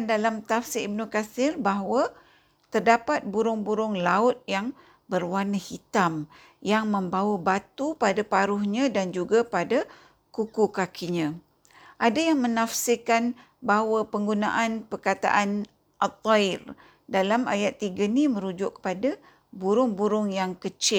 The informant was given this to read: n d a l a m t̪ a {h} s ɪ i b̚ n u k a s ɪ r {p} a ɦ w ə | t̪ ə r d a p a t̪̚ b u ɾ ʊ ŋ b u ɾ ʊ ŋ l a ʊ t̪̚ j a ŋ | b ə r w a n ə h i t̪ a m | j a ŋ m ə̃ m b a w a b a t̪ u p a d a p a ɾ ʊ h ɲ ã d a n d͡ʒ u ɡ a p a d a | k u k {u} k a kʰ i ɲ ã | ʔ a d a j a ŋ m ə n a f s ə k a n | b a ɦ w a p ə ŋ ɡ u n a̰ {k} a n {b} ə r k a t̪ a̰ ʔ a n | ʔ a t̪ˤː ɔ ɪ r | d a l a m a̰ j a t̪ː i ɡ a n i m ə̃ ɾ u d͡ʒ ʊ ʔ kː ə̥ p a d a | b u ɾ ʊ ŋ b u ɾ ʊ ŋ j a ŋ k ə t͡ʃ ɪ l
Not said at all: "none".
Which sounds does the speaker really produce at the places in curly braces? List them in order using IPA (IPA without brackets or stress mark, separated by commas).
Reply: f, b, u, ʔ, p